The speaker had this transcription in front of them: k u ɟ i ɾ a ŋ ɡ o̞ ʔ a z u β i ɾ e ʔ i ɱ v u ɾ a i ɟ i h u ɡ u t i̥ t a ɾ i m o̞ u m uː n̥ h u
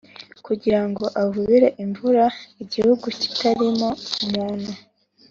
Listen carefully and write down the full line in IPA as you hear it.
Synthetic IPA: k u ɟ i ɾ a ŋ ɡ o̞ ʔ a v u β i ɾ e ʔ i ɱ v u ɾ a i ɟ i h u ɡ u c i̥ t a ɾ i m o̞ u m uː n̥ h u